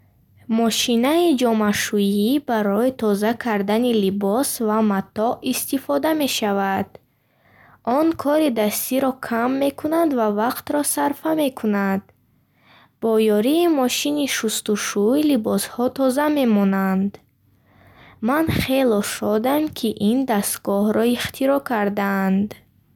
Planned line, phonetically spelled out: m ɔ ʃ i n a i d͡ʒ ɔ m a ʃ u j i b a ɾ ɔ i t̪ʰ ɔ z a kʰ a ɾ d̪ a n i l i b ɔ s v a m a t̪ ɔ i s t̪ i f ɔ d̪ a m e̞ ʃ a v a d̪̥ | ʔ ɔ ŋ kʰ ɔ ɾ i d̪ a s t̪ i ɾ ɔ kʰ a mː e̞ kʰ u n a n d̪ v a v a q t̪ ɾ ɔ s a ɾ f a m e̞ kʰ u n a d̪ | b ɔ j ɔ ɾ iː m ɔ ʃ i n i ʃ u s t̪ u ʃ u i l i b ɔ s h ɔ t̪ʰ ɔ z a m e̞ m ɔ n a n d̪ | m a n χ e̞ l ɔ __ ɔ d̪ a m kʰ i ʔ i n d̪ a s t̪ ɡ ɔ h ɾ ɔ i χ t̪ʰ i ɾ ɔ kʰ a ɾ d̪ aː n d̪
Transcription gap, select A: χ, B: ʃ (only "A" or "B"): B